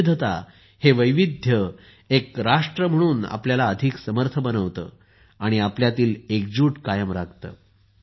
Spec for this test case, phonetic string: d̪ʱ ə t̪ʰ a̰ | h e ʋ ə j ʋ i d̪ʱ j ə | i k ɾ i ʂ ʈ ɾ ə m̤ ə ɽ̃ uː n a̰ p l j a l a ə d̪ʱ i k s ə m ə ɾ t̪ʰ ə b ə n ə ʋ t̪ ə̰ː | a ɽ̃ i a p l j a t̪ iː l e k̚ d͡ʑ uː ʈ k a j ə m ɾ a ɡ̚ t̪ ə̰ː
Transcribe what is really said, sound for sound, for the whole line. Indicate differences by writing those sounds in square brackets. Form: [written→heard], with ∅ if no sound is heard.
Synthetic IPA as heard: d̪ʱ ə [t̪ʰ→t̪] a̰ | h e ʋ ə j ʋ i d̪ʱ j ə | [i→e] k ɾ [i→a] ʂ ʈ ɾ ə m̤ ə ɽ̃ uː n a̰ p l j a l a ə d̪ʱ i k s ə m ə ɾ t̪ʰ ə b ə n ə ʋ t̪ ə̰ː | a ɽ̃ i a p l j a t̪ iː l e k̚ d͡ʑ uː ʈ k a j ə m ɾ a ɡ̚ t̪ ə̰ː

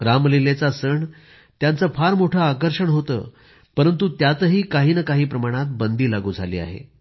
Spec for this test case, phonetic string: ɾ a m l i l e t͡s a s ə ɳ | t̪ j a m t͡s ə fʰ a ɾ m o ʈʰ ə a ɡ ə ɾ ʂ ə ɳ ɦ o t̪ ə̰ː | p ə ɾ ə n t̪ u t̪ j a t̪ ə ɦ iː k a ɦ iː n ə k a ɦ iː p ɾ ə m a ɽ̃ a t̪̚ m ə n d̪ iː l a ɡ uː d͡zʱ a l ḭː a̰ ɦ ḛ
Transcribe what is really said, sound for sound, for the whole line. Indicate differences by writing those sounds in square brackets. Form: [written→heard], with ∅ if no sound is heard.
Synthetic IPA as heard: ɾ a m l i l e t͡s a s ə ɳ | t̪ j a [m→n] t͡s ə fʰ a ɾ m o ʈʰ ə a [ɡ→k] ə ɾ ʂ ə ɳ ɦ o t̪ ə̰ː | p ə ɾ ə n t̪ u t̪ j a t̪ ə ɦ iː k a ɦ iː n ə k a ɦ iː p ɾ ə m a ɽ̃ a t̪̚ [m→b] ə n d̪ iː l a ɡ uː d͡zʱ a l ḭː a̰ ɦ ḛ

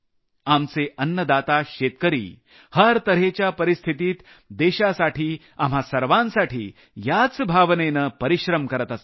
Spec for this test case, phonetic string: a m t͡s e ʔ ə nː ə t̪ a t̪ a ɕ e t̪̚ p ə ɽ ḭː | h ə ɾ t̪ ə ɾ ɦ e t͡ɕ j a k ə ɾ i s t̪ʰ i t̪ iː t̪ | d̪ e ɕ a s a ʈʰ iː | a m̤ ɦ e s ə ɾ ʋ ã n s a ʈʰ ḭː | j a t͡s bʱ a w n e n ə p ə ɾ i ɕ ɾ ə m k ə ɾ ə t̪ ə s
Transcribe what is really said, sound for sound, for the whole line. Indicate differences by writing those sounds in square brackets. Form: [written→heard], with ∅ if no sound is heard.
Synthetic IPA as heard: a m t͡s e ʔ ə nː ə [t̪→d̪] a t̪ a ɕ e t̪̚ [p→k] ə [ɽ→ɾ] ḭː | h ə ɾ t̪ ə ɾ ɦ e t͡ɕ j a [k→p] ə ɾ i s t̪ʰ i t̪ iː t̪ | d̪ e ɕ a s a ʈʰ iː | a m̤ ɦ [e→a] s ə ɾ ʋ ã n s a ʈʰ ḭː | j a t͡s bʱ a [w→ʋ] n e n ə p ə ɾ i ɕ ɾ ə m k ə ɾ ə t̪ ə s

